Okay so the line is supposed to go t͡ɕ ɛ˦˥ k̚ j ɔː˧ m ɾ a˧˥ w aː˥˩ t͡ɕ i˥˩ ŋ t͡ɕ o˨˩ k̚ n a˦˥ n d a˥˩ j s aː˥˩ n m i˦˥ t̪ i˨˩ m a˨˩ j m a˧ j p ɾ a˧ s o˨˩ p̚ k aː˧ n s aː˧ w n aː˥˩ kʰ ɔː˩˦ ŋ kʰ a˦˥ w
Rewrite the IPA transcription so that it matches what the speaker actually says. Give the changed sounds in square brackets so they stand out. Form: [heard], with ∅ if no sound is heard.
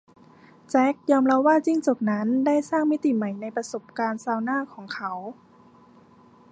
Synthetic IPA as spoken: t͡ɕ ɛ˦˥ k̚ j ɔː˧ m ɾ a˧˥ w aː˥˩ t͡ɕ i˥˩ ŋ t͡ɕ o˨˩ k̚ n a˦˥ n d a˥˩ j s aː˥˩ [ŋ] m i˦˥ t̪ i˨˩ m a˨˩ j [n] a˧ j p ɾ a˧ s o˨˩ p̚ k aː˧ n s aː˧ w n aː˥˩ kʰ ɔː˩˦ ŋ kʰ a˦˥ w